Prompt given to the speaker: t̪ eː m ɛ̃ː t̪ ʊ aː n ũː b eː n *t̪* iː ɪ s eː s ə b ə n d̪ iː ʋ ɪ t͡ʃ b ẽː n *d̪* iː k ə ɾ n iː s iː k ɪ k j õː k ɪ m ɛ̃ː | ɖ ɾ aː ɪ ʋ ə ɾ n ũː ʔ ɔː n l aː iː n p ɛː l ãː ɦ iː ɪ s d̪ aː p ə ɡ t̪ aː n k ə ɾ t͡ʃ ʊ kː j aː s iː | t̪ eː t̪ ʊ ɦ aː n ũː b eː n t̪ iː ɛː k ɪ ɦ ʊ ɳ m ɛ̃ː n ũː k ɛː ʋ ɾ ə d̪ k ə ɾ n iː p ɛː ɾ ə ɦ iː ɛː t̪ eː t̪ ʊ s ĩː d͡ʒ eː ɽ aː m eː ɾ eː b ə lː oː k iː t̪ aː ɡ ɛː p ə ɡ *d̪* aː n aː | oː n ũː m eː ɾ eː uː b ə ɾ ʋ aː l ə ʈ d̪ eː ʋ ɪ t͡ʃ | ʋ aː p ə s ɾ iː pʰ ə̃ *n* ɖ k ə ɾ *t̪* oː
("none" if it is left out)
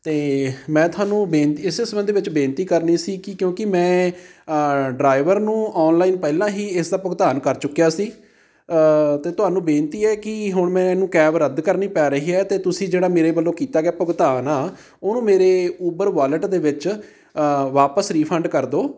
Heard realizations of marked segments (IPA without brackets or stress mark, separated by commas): t̪, t̪, t̪, ɳ, d̪